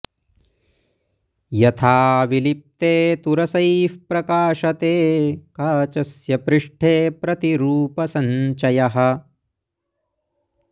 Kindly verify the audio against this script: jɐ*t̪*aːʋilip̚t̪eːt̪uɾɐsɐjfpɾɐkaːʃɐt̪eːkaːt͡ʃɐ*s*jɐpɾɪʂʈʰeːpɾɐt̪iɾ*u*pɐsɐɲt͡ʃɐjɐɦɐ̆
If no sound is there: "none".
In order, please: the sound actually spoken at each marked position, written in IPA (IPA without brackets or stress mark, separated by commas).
t̪ʰ, s, uː